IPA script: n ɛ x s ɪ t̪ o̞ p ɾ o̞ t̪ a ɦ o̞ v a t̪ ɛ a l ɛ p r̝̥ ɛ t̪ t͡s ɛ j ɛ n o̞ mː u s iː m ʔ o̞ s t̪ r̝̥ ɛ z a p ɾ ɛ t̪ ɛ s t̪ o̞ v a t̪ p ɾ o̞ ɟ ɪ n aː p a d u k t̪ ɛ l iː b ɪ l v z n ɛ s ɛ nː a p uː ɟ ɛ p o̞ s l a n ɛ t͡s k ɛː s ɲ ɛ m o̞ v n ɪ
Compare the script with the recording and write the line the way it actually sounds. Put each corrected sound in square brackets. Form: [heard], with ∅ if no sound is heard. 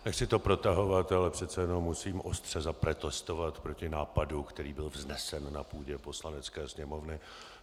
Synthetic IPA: n ɛ x s ɪ t̪ o̞ p ɾ o̞ t̪ a ɦ o̞ v a t̪ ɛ a l ɛ p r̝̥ ɛ t̪ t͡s ɛ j ɛ n o̞ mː u s iː m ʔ o̞ s t̪ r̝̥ ɛ z a p ɾ ɛ t̪ ɛ s t̪ o̞ v a t̪ p ɾ o̞ [c] ɪ n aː p a d u k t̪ ɛ [ɾ] iː b ɪ l v z n ɛ s ɛ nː a p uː ɟ ɛ p o̞ s l a n ɛ t͡s k ɛː s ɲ ɛ m o̞ v n ɪ